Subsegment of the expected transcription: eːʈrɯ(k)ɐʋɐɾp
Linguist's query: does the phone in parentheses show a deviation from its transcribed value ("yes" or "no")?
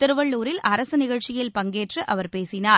yes